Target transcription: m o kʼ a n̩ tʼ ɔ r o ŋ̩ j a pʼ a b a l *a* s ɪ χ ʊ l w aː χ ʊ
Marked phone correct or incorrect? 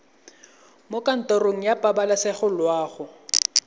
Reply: correct